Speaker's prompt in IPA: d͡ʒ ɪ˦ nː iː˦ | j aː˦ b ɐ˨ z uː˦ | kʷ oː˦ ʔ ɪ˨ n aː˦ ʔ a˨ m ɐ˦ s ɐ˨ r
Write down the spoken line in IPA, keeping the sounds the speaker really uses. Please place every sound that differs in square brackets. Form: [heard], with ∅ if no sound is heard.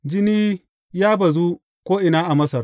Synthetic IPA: d͡ʒ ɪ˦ [n] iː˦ | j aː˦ b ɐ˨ z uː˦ | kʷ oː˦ ʔ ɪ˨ n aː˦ ʔ a˨ m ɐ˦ s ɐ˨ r